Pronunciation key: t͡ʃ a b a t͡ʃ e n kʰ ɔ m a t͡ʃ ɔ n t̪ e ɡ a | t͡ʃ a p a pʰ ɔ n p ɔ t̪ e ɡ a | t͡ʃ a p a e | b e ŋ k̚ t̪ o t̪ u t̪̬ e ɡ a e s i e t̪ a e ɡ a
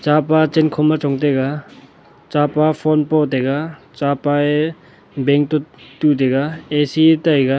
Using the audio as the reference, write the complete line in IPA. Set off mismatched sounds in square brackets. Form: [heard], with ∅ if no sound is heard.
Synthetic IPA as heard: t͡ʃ a [p] a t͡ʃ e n kʰ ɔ m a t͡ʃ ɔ [ŋ] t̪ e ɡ a | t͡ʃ a p a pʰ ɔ n p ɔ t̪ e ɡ a | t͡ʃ a p a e | b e ŋ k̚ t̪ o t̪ u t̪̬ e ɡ a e s i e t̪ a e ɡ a